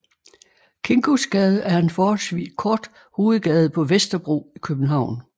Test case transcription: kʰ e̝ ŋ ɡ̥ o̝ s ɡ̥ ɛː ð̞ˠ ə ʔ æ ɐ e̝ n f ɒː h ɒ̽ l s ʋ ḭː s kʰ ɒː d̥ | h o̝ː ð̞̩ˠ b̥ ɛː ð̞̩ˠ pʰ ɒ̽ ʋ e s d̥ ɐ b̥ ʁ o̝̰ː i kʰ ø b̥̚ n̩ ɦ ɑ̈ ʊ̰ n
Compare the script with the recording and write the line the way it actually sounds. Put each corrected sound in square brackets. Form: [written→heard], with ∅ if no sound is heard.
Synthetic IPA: kʰ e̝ ŋ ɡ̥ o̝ s ɡ̥ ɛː ð̞ˠ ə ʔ æ ɐ e̝ n f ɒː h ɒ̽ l s ʋ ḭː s kʰ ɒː d̥ | h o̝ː ð̞̩ˠ [b̥→ɡ̥] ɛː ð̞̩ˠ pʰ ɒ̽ ʋ e s d̥ ɐ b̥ ʁ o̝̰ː i kʰ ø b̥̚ n̩ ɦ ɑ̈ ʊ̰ n